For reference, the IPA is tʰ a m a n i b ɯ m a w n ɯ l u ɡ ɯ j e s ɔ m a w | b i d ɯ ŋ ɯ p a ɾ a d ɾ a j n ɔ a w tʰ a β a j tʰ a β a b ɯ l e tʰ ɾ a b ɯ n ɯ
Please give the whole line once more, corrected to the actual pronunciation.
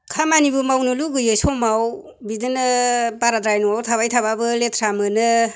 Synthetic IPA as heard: kʰ a m a n i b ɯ m a w n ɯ l u ɡ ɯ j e s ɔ m a w | b i d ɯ n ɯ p a ɾ a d ɾ a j n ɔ a w tʰ a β a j tʰ a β a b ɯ l e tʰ ɾ a m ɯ n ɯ